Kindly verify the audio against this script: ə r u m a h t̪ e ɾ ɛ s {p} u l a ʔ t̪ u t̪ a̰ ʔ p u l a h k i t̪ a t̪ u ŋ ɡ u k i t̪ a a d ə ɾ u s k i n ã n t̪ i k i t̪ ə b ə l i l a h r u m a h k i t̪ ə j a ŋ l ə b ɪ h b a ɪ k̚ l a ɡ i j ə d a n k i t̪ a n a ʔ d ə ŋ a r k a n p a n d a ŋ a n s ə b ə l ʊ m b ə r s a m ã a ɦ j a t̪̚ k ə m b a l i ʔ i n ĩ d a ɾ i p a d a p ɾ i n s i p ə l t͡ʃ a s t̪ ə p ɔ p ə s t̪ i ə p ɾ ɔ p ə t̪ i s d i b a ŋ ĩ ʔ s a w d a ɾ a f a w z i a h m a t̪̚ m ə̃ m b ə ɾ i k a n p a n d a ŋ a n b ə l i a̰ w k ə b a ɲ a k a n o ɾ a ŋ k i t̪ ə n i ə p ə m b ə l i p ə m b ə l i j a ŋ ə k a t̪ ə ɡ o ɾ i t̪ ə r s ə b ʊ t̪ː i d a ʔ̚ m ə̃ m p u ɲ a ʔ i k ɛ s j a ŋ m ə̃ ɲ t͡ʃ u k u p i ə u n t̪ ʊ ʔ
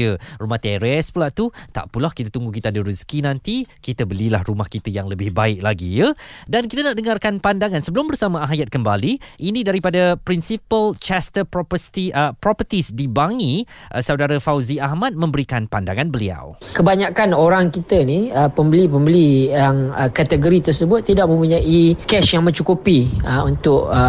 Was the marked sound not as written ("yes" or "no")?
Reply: no